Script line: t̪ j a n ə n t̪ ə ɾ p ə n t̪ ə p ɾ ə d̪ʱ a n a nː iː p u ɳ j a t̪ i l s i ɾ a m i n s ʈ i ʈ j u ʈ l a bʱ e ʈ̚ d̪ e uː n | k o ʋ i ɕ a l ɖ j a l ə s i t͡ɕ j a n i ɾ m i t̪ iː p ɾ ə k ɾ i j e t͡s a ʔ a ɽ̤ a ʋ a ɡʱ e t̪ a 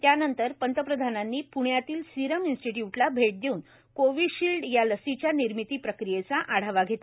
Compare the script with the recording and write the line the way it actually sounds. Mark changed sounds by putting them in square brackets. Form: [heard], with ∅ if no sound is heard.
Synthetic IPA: t̪ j a n ə n t̪ ə ɾ p ə n t̪ ə p ɾ ə d̪ʱ a n a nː iː p u ɳ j a t̪ [iː] l s i ɾ [ə] m i n s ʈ i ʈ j u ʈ l a bʱ e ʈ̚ d̪ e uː n | k o ʋ i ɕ [i] l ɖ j a l ə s i t͡ɕ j a n i ɾ m i t̪ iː p ɾ ə k ɾ i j e t͡s a ʔ a ɽ̤ a ʋ a ɡʱ e t̪ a